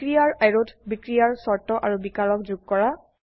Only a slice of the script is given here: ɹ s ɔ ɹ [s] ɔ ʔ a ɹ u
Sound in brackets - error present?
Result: yes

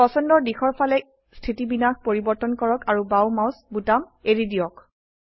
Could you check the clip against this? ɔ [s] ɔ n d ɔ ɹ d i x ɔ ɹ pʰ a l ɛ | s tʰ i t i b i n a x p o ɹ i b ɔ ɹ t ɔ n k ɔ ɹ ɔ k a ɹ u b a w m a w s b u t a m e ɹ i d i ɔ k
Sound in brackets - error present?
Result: no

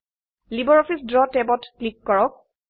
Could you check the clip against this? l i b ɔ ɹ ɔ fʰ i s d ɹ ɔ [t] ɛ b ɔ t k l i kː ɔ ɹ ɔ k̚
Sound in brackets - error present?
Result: no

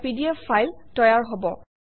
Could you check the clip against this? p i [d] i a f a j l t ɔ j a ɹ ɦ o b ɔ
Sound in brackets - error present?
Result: no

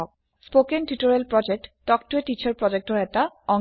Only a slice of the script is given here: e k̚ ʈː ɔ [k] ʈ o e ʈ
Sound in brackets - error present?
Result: no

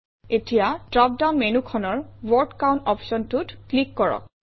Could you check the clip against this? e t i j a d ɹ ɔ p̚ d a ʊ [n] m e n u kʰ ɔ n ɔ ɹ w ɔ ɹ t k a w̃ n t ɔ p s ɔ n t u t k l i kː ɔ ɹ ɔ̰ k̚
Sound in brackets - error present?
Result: no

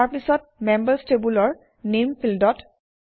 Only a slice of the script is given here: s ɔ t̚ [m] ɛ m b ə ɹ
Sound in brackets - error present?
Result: no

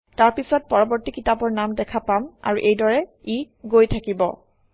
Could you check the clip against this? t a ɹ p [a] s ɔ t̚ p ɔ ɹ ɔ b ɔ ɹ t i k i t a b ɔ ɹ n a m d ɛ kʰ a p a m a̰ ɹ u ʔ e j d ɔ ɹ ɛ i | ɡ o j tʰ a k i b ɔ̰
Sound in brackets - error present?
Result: yes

